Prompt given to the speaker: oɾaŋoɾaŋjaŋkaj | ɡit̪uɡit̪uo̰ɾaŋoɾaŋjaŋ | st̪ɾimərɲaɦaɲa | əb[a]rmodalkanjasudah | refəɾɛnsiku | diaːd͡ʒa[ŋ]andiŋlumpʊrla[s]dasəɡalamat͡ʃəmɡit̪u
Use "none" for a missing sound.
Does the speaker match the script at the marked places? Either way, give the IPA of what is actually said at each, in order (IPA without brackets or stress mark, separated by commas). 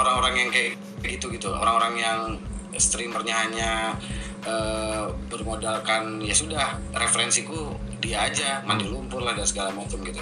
ə, m, h